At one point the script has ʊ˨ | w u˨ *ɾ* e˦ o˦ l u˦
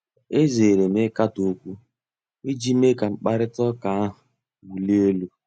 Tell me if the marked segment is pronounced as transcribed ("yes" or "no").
no